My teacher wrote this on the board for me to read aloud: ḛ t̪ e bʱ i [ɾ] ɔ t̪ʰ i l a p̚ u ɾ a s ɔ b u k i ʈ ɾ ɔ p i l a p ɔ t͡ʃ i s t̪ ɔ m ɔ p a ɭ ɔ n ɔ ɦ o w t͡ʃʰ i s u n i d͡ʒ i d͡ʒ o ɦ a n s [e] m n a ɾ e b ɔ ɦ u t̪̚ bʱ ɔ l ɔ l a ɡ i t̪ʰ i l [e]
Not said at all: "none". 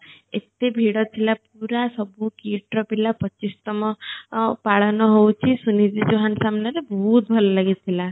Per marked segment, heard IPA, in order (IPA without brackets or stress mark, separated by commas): ɽ, a, a